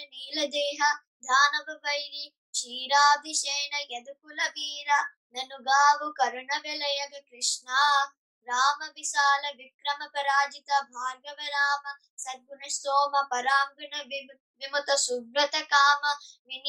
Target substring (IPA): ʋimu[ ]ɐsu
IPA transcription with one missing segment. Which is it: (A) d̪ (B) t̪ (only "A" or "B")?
B